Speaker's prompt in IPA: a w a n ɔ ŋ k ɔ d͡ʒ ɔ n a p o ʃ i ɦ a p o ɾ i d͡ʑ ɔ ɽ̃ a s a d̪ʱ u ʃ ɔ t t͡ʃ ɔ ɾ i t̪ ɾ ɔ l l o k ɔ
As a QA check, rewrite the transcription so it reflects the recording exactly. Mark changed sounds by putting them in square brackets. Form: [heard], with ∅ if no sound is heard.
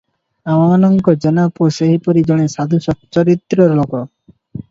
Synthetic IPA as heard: a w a n ɔ ŋ k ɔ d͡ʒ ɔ n a p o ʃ [e] ɦ [i] p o ɾ i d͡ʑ ɔ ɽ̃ [e] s a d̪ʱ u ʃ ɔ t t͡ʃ ɔ ɾ i t̪ ɾ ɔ [ɾ] l o k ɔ